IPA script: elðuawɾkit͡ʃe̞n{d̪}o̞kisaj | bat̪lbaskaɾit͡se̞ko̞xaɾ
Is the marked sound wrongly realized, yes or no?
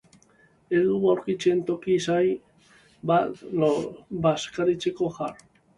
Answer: yes